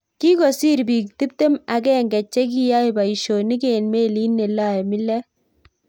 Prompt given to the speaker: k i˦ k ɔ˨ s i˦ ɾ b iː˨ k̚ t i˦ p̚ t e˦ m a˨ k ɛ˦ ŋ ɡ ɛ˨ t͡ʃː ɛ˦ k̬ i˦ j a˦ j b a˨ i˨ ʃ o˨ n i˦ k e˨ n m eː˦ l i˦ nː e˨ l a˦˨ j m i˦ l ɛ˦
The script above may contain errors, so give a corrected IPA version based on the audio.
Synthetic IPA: k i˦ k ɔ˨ s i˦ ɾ b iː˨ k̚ t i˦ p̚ t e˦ m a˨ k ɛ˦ ŋ ɡ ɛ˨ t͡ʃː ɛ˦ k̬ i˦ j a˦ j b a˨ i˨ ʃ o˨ n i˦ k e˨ n m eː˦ l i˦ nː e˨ l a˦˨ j m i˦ l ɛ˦